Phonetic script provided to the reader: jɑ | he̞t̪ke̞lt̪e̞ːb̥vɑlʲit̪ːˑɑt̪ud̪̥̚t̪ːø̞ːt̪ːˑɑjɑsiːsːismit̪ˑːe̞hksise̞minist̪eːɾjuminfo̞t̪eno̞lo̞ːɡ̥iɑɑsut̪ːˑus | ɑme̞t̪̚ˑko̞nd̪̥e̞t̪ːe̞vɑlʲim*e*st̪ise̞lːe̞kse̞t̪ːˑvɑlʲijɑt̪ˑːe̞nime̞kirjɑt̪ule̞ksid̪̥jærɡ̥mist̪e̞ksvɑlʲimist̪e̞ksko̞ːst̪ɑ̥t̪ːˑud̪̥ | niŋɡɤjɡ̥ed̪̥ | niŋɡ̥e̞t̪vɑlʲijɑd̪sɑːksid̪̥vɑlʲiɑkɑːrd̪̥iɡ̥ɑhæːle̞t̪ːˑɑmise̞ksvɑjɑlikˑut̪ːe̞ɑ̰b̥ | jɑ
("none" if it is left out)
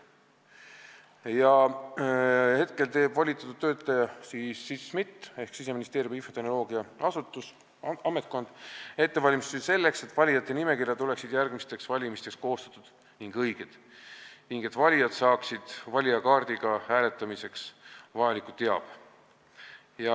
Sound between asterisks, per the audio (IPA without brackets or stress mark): i